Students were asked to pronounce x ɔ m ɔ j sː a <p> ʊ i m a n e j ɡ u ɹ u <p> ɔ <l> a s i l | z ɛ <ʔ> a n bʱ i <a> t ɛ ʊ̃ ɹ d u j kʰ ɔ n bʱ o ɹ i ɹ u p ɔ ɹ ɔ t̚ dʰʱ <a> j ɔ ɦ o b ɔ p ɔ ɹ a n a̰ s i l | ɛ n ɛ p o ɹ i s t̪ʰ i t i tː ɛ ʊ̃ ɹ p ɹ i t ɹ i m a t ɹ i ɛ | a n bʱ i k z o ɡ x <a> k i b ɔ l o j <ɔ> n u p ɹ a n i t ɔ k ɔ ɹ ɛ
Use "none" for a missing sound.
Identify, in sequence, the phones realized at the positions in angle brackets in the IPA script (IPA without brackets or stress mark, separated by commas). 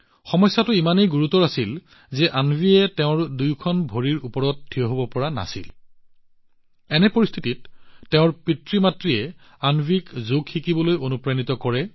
t, t, ɹ, ʔ, ɛ, i, i, o